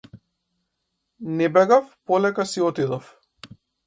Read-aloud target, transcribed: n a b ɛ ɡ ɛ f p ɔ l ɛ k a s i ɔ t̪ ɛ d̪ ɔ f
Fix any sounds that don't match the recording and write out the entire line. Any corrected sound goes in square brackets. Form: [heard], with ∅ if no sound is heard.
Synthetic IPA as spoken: n [ɛ] b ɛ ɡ [a] f p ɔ l ɛ k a s i ɔ t̪ [i] d̪ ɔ f